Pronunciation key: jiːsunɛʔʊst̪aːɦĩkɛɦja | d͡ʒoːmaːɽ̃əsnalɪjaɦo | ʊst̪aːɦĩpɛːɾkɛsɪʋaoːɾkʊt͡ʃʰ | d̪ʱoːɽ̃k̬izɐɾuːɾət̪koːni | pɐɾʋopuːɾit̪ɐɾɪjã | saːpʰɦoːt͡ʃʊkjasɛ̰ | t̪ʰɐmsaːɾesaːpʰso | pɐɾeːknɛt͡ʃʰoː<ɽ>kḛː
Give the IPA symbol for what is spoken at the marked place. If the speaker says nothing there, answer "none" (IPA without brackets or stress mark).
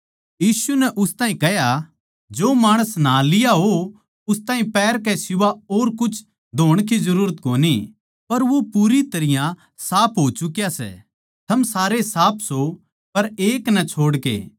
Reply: ɽ